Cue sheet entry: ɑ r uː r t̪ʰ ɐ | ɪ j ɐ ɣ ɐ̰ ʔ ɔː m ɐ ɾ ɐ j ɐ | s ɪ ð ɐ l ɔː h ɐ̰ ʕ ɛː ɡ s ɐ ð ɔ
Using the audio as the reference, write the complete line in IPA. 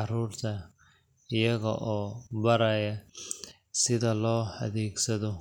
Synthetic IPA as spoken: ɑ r uː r t̪ʰ ɐ | ɪ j ɐ ɣ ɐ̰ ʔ ɔː b ɐ ɾ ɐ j ɐ | s ɪ ð ɐ l ɔː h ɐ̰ ð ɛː ɡ s ɐ ð ɔ